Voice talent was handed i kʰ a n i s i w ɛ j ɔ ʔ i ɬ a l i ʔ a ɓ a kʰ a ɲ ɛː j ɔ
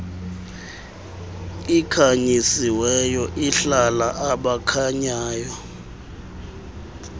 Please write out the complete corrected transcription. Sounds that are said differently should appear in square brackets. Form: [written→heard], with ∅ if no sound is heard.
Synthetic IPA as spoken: i kʰ a [n→ɲ] i s i w ɛ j ɔ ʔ i ɬ a l [i→a] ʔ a ɓ a kʰ a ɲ [ɛː→aː] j ɔ